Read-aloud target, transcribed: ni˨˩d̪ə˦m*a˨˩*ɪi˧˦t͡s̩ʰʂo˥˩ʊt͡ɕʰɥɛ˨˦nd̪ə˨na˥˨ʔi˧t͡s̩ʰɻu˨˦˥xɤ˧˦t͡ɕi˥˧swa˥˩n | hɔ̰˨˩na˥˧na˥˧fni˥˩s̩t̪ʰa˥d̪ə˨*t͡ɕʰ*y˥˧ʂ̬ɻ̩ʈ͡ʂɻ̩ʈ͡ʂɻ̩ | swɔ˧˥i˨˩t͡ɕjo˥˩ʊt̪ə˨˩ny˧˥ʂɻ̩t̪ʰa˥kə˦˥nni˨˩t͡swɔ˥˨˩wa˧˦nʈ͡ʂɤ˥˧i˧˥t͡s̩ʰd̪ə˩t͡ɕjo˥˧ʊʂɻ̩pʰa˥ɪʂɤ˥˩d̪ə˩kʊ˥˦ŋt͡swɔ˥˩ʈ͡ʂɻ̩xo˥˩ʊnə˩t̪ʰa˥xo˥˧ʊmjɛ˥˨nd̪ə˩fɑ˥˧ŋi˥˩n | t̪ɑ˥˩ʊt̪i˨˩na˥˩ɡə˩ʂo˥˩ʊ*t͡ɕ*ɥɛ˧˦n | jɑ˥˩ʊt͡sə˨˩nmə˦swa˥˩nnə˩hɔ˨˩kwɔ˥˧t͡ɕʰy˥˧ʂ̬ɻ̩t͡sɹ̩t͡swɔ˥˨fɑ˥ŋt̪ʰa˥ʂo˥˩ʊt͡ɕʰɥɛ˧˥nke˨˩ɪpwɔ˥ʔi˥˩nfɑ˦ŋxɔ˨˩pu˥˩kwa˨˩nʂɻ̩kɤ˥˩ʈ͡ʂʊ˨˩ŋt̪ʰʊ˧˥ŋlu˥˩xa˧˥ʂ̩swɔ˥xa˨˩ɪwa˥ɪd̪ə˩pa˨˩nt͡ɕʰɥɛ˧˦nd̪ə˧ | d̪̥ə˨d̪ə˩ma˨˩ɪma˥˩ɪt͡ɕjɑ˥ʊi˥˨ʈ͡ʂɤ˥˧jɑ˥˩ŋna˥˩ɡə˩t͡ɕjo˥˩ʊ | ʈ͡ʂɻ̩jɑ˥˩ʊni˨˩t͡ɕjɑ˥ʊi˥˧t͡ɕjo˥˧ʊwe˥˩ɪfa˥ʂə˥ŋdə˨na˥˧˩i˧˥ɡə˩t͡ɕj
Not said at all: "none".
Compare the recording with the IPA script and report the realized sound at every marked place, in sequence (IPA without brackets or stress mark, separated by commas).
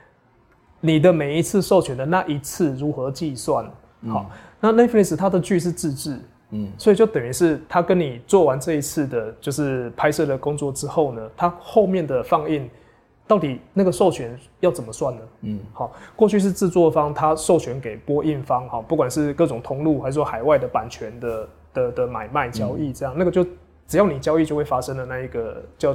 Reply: e˨˩, t͡ɕ, t͡ɕʰ